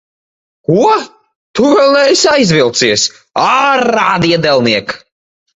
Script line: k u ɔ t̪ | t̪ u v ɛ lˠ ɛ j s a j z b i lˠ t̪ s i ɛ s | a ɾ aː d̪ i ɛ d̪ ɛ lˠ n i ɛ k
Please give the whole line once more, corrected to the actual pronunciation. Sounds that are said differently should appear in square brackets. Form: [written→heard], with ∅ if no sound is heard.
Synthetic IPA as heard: k u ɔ [t̪→∅] | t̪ u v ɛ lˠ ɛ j s a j z [b→v] i lˠ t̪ s i ɛ s | a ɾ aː d̪ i ɛ d̪ ɛ lˠ n i ɛ k